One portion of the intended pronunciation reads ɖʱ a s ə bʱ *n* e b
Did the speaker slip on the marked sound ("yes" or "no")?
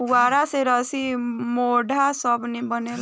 no